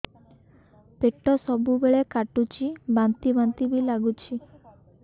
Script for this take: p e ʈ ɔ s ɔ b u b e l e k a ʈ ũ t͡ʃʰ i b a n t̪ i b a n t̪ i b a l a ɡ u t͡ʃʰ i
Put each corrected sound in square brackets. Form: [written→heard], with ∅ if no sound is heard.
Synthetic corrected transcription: p e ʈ ɔ s ɔ b u b e [l→ɭ] e k a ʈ [ũ→u] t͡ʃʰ i b a n t̪ i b a n t̪ i b [a→i] l a ɡ u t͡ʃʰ i